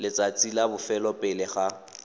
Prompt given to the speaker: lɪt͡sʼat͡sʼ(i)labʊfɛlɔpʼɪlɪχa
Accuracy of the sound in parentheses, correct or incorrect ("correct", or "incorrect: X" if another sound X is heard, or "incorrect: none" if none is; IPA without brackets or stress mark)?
correct